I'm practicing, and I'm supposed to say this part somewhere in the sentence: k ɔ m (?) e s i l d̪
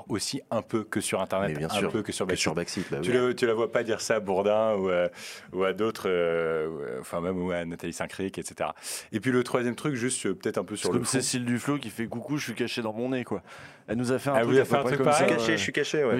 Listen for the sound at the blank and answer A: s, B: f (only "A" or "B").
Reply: A